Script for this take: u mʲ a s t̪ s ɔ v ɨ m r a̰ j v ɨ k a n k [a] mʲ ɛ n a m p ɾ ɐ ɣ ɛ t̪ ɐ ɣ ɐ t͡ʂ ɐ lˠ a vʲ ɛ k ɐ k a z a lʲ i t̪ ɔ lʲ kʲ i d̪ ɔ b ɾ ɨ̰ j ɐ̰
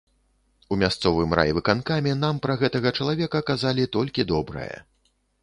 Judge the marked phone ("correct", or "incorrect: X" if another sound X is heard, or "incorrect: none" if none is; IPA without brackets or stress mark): correct